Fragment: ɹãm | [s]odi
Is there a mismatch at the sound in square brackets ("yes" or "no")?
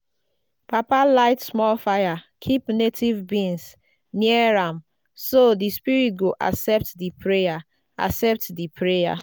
no